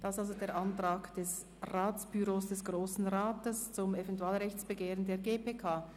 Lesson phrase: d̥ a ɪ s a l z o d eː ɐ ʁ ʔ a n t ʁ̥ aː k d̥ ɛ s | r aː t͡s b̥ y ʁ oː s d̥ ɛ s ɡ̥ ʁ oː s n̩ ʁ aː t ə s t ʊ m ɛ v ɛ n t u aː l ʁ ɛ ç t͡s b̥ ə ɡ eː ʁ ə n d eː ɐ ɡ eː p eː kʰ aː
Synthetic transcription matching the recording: d̥ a ɪ s a l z o d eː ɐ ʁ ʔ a n t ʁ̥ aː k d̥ ɛ s | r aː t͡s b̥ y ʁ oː s d̥ ɛ s ɡ̥ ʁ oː s n̩ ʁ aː t ə s t͡s ʊ m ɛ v ɛ n t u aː l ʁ ɛ ç t͡s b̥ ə ɡ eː ʁ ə n d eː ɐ ɡ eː p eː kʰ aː